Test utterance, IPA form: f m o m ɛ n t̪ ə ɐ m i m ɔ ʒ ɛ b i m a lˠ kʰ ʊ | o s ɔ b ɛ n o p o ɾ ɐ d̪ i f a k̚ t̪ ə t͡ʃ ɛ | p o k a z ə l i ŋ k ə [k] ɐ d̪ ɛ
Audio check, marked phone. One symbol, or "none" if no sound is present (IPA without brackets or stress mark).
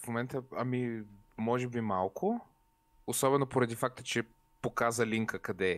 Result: k